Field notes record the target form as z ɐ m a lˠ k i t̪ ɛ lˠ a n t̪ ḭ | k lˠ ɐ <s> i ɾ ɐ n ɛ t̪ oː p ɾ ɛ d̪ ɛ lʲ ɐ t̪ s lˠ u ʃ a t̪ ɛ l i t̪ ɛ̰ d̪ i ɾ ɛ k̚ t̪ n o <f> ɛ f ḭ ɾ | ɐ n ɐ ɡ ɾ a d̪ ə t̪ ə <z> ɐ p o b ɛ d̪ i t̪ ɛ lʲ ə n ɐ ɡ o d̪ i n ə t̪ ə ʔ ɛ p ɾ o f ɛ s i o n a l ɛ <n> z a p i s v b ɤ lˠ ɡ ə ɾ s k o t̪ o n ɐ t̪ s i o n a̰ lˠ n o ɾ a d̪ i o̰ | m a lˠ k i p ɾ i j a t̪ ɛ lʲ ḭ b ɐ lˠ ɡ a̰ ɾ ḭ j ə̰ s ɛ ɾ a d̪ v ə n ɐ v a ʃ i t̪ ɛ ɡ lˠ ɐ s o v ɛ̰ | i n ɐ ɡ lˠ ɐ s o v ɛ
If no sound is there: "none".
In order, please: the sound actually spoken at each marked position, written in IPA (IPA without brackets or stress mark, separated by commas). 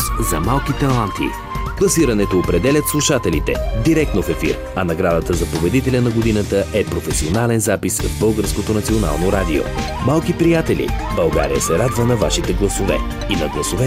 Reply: s, f, z, n